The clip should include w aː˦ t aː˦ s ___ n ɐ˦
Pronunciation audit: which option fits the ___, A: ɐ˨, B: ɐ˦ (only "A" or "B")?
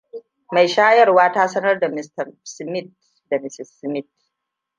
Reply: B